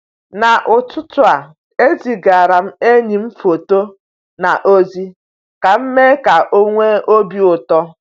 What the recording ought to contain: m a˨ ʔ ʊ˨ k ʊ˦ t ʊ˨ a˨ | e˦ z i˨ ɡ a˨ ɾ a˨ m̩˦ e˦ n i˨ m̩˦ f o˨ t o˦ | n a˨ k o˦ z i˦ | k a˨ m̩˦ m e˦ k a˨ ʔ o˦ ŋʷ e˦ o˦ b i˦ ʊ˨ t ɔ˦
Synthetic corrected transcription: n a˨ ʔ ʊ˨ t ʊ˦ t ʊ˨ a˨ | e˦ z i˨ ɡ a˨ ɾ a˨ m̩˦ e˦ ɲ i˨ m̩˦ f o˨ t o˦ | n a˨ ʔ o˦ z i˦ | k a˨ m̩˦ m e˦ k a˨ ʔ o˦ ŋʷ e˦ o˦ b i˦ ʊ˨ t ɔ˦